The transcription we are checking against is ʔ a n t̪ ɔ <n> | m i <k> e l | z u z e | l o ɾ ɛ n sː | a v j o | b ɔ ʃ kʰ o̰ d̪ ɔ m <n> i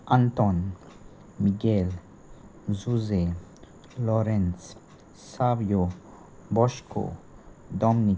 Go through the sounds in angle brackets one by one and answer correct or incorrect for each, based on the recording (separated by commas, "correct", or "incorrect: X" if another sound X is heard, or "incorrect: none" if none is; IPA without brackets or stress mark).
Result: correct, incorrect: ɡ, correct